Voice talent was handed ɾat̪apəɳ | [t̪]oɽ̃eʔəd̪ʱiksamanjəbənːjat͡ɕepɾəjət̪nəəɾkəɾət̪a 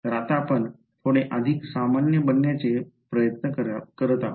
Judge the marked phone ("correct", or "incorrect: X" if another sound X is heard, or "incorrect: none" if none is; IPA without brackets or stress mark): incorrect: t̪ʰ